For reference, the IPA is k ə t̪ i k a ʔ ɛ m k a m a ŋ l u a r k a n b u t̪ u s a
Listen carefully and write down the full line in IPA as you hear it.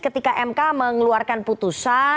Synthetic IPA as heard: k ə t̪ i k a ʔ ɛ m k a m ə ŋ l u a r k a n p u t̪ u s a